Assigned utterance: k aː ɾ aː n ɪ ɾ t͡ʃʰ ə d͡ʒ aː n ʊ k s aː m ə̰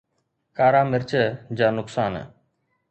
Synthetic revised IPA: k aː ɾ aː m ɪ ɾ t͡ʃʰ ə d͡ʒ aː n ʊ k s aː n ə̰